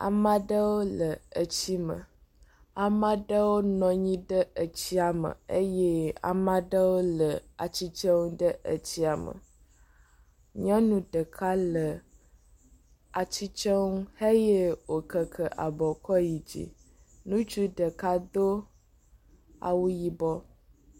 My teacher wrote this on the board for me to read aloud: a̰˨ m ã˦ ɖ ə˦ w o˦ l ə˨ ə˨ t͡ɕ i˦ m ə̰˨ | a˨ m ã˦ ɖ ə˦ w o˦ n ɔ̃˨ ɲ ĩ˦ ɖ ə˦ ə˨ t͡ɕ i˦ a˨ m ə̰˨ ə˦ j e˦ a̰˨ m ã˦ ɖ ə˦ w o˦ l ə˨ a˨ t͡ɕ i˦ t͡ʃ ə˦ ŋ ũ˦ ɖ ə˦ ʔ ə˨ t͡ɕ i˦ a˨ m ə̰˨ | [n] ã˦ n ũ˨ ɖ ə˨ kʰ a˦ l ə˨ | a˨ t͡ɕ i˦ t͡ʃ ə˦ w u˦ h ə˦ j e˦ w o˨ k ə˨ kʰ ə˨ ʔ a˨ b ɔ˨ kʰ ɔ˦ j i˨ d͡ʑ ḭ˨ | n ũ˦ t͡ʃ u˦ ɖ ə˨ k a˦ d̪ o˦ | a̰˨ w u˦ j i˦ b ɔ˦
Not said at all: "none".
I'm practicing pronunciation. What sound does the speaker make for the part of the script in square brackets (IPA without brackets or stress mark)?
ɲ